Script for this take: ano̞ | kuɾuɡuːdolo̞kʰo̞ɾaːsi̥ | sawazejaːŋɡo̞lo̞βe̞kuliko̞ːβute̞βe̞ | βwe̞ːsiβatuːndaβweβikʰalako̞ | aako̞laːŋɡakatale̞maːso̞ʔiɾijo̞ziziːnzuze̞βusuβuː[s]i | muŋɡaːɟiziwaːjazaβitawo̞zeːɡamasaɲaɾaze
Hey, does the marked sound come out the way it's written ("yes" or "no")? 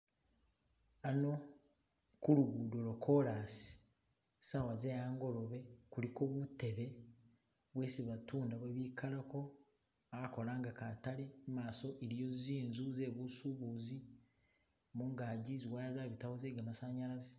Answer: no